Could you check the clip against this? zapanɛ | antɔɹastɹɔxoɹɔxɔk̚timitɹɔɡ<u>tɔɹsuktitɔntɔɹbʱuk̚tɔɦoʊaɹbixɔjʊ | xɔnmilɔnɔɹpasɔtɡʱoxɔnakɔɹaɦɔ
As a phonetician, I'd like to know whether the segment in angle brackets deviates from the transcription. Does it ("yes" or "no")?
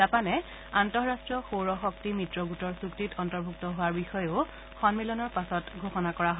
no